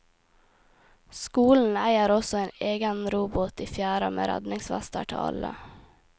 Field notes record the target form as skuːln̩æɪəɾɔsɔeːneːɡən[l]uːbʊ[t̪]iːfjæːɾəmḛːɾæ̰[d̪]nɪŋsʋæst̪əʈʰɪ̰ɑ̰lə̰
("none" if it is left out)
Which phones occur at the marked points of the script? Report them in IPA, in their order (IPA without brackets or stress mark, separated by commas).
ɾ, t̪, d̪